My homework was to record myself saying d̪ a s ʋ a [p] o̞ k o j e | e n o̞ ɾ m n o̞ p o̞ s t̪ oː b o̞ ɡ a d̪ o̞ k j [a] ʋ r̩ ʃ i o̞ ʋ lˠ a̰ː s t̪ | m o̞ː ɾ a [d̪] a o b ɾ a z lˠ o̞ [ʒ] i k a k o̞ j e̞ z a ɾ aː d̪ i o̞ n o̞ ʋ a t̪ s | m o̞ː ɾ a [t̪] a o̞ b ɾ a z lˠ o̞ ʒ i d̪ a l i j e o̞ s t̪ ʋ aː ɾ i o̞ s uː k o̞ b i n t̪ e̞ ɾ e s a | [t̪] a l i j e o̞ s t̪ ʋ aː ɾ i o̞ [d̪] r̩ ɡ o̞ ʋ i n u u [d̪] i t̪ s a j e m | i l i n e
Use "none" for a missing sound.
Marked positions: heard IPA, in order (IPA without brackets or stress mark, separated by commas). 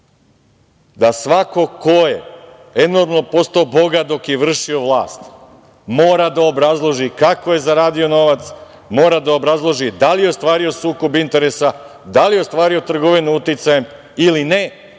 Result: k, e, d̪, ʒ, d̪, d̪, t̪, t̪